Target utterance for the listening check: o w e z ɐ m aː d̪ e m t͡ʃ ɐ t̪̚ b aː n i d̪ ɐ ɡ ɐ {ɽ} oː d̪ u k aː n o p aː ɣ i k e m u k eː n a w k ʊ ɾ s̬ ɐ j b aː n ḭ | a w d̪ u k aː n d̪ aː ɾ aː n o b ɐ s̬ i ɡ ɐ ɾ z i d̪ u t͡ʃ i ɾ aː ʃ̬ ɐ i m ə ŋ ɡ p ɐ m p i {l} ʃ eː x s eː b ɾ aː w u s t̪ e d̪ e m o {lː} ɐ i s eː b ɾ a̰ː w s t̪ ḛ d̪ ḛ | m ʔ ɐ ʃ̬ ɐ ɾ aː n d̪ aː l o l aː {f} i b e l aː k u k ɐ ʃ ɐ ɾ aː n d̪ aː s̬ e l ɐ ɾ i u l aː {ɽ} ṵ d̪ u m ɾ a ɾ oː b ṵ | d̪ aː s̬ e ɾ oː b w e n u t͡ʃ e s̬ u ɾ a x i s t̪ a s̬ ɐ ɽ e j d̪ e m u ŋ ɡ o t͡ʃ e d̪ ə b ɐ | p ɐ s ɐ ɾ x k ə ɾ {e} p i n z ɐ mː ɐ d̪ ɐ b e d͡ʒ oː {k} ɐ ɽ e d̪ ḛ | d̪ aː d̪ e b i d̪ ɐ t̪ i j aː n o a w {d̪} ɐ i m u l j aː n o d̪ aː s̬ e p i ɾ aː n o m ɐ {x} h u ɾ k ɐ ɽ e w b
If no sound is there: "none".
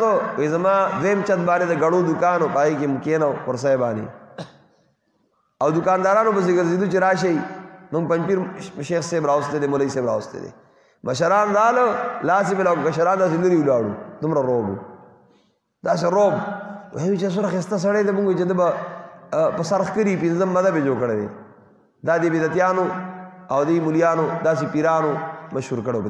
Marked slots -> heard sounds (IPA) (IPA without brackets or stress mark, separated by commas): ɽ, ɾ, l, s, ɽ, i, k, d̪, ʃ